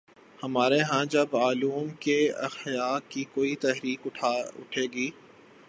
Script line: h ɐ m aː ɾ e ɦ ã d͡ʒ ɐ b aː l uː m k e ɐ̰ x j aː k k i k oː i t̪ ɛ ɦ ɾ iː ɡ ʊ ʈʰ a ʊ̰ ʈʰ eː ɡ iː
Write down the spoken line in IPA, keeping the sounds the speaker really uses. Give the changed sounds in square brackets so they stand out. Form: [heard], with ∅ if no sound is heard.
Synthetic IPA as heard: h ɐ m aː ɾ e ɦ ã d͡ʒ ɐ b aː l uː m k e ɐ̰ x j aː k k i k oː i t̪ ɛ ɦ ɾ iː [k] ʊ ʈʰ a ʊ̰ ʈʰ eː ɡ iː